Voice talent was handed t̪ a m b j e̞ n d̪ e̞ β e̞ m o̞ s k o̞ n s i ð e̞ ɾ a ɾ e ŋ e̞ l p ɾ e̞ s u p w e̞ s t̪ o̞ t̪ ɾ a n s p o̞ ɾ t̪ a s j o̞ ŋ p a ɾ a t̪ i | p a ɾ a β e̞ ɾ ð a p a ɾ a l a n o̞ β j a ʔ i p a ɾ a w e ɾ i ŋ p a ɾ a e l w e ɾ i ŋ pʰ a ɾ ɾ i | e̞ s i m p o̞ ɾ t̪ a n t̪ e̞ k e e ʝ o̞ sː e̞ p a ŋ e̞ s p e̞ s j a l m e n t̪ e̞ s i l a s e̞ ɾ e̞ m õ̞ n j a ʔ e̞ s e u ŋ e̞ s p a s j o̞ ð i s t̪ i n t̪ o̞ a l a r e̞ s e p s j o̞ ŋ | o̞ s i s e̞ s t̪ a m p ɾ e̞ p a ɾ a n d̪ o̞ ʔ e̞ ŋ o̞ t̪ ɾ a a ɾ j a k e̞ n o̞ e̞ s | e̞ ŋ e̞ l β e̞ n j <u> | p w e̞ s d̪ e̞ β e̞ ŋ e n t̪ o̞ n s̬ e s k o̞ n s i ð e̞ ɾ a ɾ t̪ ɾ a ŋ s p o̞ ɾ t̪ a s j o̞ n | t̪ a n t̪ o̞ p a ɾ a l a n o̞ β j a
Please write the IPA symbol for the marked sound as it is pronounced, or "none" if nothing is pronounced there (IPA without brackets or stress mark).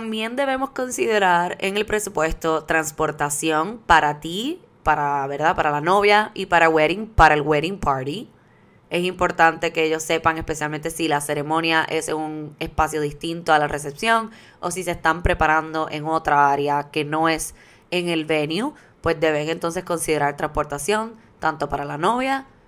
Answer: u